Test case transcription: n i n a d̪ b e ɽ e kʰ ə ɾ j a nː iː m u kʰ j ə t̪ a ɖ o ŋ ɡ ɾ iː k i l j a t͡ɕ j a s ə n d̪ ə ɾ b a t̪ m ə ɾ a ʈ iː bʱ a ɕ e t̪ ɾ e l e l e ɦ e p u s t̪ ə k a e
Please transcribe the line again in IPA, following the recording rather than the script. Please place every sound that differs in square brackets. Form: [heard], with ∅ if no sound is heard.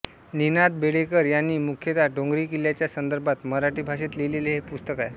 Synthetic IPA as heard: n i n a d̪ b e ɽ e [k] ə ɾ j a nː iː m u kʰ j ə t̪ a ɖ o ŋ ɡ ɾ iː k i l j a t͡ɕ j a s ə n d̪ ə ɾ b a t̪ m ə ɾ a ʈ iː bʱ a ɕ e t̪ [l] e l e l e ɦ e p u s t̪ ə k a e